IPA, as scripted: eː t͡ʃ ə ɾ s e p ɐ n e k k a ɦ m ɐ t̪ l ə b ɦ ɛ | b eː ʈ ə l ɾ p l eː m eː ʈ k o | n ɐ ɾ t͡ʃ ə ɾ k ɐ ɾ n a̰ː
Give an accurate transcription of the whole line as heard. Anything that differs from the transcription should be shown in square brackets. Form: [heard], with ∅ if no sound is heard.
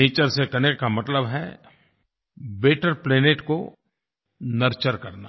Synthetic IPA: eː t͡ʃ ə ɾ s e [k] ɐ n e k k a [∅] m ɐ t̪ l ə b ɦ ɛ | b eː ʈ ə [∅] ɾ p l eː [n] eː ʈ k o | n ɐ ɾ t͡ʃ ə ɾ k ɐ ɾ n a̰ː

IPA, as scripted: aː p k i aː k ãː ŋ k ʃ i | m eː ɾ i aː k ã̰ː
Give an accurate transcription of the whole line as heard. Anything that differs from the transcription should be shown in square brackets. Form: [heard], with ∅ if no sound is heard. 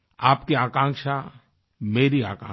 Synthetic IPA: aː p k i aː k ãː ŋ k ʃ [a] | m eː ɾ i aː k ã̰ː

